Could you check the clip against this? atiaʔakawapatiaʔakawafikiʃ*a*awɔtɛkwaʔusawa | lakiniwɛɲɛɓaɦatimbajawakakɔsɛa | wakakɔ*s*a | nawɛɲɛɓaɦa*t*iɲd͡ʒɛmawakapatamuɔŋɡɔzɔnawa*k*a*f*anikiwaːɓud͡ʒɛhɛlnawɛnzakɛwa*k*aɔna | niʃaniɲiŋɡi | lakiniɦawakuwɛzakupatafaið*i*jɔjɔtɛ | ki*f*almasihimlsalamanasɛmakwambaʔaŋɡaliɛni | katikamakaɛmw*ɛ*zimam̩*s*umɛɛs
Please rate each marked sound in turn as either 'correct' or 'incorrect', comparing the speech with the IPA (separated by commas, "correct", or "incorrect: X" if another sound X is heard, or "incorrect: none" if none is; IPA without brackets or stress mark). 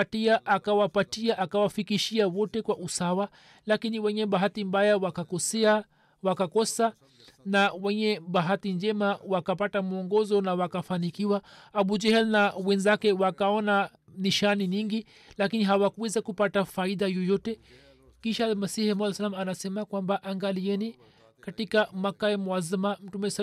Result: incorrect: i, correct, correct, correct, correct, correct, incorrect: a, incorrect: ʃ, incorrect: a, incorrect: t